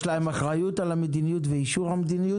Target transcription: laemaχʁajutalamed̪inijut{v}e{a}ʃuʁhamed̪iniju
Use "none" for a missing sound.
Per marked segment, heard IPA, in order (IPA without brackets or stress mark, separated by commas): v, i